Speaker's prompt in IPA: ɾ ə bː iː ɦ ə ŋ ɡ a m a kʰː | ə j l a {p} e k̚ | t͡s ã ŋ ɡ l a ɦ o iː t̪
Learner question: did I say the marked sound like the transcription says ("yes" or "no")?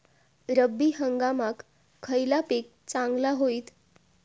yes